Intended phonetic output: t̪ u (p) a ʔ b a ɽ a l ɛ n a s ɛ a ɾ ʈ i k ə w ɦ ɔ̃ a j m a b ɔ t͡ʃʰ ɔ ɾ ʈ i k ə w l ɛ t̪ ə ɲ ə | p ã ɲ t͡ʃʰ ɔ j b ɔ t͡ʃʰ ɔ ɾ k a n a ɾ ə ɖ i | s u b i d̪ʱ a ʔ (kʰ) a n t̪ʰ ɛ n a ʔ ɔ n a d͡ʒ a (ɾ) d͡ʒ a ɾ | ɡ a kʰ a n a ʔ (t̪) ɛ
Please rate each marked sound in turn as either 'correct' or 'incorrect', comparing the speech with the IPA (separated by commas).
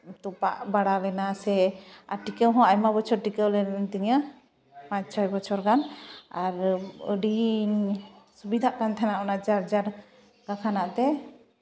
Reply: correct, incorrect, correct, correct